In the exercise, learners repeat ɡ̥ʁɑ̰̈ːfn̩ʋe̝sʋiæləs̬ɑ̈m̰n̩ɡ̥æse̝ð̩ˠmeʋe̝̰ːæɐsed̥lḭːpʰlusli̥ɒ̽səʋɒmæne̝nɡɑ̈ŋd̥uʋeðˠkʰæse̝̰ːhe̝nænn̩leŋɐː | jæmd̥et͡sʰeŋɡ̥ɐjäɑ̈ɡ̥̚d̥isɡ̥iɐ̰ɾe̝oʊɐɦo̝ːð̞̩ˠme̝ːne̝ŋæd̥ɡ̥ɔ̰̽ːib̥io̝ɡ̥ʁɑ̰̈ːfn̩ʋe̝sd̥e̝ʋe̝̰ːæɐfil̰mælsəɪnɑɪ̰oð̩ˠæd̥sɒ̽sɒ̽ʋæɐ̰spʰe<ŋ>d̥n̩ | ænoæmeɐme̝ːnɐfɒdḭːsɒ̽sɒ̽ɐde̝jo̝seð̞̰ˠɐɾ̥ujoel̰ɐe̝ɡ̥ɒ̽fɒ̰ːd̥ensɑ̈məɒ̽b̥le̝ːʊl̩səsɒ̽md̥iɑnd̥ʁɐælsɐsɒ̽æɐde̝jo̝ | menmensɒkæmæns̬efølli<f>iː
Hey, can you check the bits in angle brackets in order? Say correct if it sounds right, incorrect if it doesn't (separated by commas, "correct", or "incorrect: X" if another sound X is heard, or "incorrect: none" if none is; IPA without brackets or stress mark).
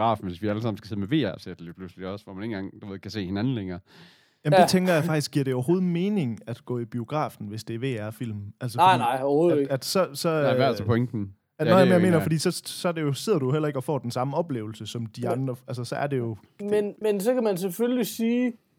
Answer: correct, incorrect: s